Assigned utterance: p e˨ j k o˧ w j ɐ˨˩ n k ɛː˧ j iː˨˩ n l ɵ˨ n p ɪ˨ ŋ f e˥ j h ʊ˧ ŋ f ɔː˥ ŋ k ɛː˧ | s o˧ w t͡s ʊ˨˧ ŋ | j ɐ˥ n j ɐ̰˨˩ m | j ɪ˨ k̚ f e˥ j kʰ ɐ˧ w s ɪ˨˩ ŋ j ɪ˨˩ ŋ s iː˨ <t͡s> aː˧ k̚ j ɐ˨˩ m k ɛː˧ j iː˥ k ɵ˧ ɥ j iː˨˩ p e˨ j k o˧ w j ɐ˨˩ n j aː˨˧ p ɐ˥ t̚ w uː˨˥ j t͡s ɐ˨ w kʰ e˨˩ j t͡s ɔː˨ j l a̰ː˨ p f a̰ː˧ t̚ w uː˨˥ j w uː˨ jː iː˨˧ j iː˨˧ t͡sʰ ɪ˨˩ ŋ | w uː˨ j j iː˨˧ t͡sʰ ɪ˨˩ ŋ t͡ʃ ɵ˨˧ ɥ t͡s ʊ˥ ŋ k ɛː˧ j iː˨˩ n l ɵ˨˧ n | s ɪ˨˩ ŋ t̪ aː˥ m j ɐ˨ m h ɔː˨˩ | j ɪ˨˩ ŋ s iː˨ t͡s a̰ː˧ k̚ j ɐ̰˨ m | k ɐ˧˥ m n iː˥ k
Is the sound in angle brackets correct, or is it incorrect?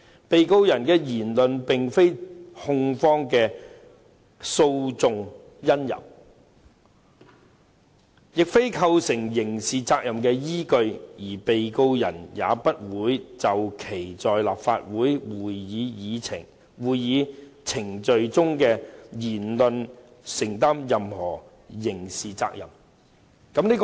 correct